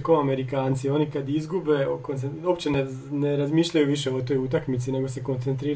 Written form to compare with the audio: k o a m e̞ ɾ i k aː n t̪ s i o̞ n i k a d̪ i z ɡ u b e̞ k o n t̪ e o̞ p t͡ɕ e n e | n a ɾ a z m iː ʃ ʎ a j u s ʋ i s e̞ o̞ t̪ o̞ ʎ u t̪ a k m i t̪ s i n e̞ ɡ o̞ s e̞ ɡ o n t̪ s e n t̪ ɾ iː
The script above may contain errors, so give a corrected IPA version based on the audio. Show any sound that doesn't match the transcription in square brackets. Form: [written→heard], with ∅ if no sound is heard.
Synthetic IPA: k o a m e̞ ɾ i k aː n t̪ s i o̞ n i k a d̪ i z ɡ u b e̞ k o n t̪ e o̞ p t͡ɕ e n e | n [a→e] ɾ a z m iː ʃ ʎ a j u [s→∅] ʋ i [s→ʃ] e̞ o̞ t̪ o̞ [ʎ→j] u t̪ a k m i t̪ s i n e̞ ɡ o̞ s e̞ [ɡ→k] o n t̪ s e n t̪ ɾ iː